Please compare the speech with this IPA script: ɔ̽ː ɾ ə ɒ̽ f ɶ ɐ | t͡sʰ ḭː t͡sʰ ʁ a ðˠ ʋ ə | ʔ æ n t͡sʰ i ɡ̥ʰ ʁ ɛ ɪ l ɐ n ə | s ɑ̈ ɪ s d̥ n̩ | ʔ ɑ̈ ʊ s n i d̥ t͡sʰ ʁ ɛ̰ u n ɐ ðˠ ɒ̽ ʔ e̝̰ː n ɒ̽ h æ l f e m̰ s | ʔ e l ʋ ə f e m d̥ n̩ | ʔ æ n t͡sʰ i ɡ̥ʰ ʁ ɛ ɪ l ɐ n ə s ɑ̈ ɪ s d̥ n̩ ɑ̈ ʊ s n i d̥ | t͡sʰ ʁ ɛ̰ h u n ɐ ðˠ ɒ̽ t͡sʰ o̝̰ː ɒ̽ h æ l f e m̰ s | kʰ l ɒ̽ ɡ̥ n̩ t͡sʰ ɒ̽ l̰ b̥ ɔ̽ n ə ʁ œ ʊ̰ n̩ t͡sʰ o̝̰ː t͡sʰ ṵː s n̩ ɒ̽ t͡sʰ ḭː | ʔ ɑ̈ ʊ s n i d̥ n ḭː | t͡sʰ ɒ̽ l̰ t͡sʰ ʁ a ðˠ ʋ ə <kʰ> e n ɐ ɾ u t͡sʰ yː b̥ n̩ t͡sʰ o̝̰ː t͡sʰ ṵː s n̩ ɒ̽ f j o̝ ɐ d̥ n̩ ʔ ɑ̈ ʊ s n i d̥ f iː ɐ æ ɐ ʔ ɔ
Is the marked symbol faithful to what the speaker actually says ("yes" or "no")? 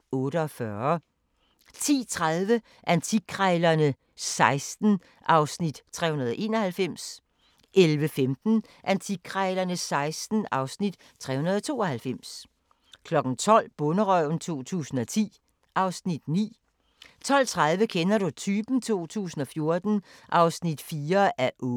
yes